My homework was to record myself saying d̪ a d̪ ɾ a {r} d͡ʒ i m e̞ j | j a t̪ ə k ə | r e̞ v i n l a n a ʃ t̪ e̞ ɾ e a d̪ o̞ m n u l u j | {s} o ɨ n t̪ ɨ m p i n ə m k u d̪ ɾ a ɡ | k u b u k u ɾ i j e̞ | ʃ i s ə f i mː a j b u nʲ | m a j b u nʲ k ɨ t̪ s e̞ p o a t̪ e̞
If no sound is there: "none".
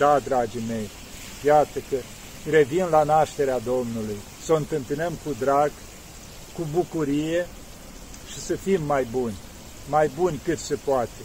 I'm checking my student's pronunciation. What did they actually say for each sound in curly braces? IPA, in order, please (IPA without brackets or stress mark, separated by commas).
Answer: none, s